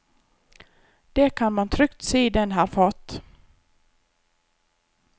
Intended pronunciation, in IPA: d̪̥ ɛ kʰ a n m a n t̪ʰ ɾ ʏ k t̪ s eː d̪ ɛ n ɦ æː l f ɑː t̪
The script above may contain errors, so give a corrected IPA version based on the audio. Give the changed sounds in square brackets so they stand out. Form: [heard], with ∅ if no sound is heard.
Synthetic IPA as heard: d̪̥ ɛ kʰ a n m a n t̪ʰ ɾ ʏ k t̪ s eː d̪ ɛ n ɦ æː [ɾ] f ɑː t̪